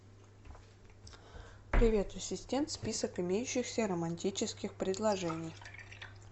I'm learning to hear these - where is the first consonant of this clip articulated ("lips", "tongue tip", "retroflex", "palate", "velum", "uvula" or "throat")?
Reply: lips